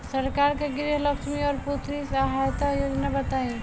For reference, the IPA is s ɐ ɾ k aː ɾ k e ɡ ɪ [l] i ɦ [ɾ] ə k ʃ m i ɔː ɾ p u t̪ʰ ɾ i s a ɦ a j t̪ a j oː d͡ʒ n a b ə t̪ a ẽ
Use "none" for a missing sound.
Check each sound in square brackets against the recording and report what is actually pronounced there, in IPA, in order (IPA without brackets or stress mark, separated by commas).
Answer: ɾ, l